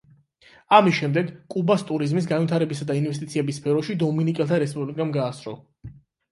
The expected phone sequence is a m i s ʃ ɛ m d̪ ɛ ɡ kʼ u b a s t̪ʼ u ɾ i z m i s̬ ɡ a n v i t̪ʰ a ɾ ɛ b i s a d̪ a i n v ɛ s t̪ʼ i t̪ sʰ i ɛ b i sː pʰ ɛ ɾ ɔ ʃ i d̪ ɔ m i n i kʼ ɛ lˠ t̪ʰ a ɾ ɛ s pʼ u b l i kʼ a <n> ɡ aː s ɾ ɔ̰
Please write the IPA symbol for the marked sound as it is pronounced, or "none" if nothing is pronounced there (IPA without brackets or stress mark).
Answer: m